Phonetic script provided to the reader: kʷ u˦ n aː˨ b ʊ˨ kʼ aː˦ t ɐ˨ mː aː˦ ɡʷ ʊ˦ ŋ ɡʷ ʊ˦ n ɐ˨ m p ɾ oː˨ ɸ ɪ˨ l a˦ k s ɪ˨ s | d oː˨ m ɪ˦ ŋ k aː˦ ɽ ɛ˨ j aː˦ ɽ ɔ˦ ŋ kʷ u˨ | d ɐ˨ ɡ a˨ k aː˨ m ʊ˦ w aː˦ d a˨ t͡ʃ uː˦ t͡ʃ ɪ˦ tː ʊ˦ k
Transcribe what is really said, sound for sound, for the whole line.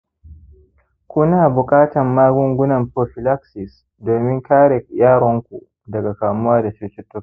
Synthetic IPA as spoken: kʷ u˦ n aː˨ b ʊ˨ kʼ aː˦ t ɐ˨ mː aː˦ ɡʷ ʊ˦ ŋ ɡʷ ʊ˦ n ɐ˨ m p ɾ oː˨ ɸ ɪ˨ l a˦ k s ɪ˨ s | d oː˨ m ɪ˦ ŋ k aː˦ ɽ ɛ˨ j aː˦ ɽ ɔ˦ ŋ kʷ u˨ | d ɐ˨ ɡ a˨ k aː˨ m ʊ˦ w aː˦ d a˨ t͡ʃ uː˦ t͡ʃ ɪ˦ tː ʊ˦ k

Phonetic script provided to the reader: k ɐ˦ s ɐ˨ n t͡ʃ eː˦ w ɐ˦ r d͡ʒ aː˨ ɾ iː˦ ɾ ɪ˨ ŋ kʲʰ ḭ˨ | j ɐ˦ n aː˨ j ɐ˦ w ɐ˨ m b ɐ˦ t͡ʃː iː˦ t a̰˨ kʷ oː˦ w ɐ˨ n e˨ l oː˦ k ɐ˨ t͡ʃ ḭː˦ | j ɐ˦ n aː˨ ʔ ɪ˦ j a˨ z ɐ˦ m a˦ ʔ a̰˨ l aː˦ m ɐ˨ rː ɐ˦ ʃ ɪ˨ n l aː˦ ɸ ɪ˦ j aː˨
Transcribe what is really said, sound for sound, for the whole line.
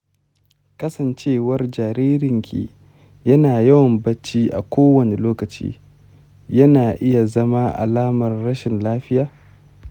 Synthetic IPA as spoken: k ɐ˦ s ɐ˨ n t͡ʃ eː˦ w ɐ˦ r d͡ʒ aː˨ ɾ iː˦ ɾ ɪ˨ ŋ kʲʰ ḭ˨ | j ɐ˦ n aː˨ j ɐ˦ w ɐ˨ m b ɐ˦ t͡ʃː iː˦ ʔ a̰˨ kʷ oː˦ w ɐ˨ n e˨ l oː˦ k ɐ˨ t͡ʃ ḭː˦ | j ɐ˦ n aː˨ ʔ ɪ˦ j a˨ z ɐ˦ m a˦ ʔ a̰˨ l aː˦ m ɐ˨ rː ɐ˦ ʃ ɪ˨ n l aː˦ ɸ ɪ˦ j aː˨

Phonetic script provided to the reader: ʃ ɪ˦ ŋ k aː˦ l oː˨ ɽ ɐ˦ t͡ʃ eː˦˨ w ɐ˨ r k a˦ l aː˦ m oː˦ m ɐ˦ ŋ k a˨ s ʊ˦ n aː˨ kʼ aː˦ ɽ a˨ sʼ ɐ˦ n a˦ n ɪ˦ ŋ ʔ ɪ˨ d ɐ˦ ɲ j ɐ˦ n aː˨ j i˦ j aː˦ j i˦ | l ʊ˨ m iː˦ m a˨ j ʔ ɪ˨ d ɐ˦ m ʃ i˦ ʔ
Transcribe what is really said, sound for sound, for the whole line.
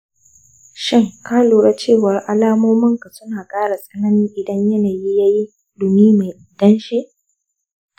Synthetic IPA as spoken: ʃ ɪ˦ ŋ k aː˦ l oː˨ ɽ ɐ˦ t͡ʃ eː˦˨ w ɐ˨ r ʔ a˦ l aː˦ m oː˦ m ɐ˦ ŋ k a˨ s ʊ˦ n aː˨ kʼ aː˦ ɽ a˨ sʼ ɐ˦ n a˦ n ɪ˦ ŋ ʔ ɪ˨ d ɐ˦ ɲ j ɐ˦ n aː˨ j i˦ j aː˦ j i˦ | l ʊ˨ m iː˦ m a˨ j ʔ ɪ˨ d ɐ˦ n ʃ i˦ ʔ

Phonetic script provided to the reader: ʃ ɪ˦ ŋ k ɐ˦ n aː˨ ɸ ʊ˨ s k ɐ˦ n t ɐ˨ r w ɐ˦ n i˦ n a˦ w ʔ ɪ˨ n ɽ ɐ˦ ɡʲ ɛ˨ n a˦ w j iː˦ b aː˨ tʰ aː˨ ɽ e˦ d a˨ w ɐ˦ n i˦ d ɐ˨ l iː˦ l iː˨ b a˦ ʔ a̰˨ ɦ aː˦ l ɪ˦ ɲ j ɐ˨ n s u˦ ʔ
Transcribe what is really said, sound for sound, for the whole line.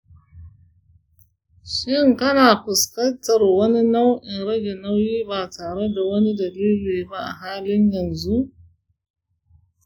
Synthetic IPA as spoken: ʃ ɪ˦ ŋ k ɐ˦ n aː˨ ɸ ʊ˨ s k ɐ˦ n t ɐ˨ r w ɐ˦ n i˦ n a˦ w ʔ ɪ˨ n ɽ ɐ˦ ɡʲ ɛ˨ n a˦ w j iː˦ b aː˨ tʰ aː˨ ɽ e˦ d a˨ w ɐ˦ n i˦ d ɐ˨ l iː˦ l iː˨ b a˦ ʔ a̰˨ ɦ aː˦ l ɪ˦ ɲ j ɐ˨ n z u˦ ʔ

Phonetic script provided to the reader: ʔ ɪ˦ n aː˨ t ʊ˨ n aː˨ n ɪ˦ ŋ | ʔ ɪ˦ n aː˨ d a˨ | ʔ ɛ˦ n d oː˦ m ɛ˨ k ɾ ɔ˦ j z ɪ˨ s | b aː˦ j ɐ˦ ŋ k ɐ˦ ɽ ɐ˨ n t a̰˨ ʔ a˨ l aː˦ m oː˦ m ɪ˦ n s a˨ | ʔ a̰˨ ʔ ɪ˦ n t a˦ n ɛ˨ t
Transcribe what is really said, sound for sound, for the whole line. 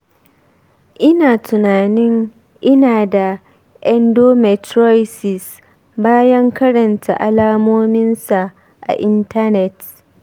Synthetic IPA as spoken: ʔ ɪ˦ n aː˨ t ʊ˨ n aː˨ n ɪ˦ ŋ | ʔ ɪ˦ n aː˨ d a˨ | ʔ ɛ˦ n d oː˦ m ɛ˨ t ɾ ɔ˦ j s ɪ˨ s | b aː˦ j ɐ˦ ŋ k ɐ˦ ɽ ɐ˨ n t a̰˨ ʔ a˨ l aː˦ m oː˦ m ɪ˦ n s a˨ | ʔ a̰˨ ʔ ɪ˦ n t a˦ n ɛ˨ t

